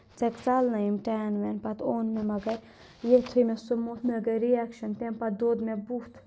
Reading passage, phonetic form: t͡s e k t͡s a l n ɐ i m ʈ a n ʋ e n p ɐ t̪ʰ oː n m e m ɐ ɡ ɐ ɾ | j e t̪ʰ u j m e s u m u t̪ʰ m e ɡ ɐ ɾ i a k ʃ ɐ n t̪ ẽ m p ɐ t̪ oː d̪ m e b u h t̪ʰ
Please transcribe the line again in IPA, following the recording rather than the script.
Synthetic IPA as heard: t͡s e k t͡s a l n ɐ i m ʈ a n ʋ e n p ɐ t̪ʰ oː n m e m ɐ ɡ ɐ ɾ | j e t̪ʰ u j m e s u m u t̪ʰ m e ɡ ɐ ɾ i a k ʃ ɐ n t̪ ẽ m p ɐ d̪ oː d̪ m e b u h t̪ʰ